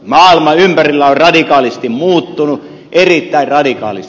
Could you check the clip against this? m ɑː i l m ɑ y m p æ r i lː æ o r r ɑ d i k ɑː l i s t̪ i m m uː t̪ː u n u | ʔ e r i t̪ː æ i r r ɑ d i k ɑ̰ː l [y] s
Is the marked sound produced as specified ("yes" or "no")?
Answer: no